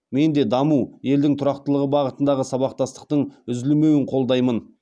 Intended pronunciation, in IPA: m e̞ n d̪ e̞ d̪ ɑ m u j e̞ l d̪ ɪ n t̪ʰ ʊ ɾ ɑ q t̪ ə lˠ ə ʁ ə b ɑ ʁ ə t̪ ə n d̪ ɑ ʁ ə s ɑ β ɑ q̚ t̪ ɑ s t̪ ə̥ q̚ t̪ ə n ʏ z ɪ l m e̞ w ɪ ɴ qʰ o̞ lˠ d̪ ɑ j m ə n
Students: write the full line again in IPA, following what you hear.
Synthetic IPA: m e̞ n d̪ e̞ d̪ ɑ m u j e̞ l d̪ ɪ ŋ t̪ʰ ʊ ɾ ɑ q t̪ ə lˠ ə ʁ ə b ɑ ʁ ə t̪ ə n d̪ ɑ ʁ ə s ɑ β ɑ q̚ t̪ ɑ s t̪ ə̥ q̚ t̪ ə ɴ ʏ z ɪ l m e̞ w ɪ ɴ qʰ o̞ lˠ d̪ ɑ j m ə n